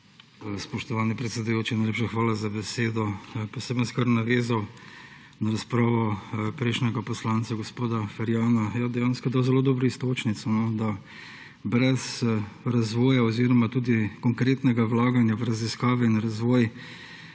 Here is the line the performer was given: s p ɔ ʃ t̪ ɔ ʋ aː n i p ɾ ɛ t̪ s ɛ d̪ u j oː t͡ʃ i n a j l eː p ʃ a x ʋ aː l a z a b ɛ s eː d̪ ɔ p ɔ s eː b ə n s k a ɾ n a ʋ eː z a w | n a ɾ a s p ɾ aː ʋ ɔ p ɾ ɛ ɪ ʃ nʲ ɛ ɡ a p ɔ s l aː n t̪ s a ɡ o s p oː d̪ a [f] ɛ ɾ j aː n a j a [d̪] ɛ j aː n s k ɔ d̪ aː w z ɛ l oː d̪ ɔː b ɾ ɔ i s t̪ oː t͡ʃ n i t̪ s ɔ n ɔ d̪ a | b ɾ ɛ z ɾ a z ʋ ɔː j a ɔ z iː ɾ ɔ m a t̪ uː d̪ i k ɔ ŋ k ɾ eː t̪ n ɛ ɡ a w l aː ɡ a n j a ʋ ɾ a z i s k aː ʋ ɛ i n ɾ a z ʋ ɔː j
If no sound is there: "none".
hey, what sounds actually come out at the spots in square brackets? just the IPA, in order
f, d̪

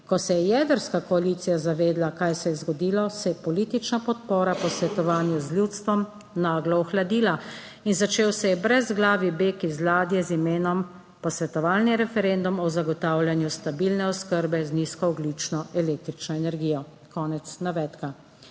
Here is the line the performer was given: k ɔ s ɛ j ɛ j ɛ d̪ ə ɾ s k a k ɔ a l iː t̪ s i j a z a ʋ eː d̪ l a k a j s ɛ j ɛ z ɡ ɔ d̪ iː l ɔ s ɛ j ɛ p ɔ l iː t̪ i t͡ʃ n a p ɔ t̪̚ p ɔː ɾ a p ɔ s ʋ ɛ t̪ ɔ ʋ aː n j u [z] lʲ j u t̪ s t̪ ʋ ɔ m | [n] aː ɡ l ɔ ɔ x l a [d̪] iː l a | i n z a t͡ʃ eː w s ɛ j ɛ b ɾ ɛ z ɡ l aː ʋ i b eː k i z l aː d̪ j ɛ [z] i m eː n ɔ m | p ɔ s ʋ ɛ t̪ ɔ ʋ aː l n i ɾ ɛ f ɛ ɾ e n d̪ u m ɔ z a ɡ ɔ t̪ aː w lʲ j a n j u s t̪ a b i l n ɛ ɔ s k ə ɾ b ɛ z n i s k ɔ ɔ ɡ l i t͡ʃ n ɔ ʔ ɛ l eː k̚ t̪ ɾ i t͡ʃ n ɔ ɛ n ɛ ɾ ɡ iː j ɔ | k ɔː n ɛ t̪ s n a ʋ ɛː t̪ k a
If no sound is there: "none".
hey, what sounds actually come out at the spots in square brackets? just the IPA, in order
z, n, d̪, z

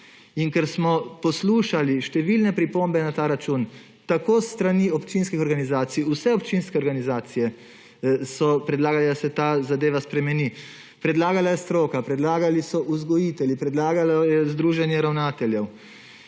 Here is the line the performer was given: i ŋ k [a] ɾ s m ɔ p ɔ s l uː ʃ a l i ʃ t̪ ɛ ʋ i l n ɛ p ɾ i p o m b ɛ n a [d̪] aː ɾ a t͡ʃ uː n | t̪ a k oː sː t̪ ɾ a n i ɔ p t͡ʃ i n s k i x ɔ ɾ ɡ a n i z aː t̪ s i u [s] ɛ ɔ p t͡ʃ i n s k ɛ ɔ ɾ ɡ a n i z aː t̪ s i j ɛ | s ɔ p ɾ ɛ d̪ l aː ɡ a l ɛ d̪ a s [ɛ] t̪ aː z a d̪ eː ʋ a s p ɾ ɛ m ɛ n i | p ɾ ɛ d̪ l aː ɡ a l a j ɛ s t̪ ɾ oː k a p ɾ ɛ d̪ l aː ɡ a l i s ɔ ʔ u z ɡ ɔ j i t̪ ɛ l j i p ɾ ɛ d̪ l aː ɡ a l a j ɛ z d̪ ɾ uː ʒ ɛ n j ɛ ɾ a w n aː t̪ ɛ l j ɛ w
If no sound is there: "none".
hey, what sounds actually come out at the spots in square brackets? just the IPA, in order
ɛ, t̪, s, ɛ

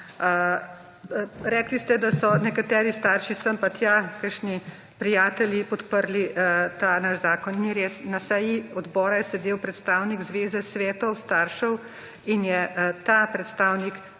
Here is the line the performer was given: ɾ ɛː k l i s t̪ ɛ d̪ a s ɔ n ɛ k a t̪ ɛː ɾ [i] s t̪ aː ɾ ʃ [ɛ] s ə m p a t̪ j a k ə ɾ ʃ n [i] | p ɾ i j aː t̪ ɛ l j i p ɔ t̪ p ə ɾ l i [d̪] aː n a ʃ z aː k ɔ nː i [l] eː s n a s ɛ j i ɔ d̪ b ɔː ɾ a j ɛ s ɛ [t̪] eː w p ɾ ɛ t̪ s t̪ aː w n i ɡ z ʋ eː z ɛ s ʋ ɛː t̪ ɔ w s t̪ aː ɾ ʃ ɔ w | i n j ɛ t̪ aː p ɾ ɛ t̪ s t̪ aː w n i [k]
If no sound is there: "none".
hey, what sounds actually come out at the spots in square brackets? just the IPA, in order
i, i, i, t̪, ɾ, d̪, k

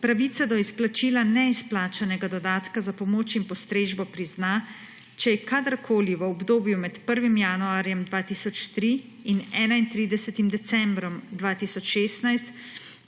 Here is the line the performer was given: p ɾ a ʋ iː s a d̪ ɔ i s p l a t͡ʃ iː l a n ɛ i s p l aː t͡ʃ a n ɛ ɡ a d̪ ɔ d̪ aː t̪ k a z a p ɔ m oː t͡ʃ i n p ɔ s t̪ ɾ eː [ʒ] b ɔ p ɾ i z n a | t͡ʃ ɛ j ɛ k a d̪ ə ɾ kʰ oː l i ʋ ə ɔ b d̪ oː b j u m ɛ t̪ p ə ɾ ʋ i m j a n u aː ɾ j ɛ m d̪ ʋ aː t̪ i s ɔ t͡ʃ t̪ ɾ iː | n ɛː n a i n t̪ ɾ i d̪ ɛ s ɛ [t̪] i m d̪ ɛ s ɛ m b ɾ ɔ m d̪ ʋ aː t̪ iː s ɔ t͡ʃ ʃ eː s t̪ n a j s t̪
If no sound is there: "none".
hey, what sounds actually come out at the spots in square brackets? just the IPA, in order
ʒ, t̪

